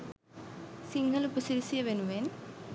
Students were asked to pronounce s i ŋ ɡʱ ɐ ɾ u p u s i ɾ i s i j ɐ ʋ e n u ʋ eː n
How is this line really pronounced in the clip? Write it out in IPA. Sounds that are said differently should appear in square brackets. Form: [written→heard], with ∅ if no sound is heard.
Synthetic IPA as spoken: s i ŋ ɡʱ ɐ [ɾ→l] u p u s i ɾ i s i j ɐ ʋ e n u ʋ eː n